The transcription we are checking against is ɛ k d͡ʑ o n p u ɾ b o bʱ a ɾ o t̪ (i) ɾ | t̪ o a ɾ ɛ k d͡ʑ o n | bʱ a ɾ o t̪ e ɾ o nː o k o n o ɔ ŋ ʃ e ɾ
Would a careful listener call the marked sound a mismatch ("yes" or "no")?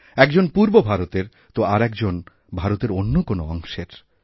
yes